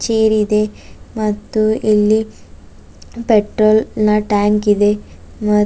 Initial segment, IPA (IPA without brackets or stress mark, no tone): t͡ʃ